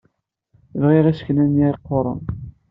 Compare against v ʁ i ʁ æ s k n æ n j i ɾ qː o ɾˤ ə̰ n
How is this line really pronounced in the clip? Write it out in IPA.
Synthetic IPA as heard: v ʁ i ʁ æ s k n æ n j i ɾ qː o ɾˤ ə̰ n